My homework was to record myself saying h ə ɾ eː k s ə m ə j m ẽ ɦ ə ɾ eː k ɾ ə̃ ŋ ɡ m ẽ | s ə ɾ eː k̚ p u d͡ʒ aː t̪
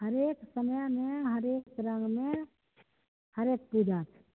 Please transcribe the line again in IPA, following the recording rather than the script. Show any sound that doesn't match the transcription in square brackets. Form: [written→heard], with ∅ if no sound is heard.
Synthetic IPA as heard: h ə ɾ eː k s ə m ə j m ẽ ɦ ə ɾ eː k ɾ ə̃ ŋ ɡ m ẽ | [s→h] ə ɾ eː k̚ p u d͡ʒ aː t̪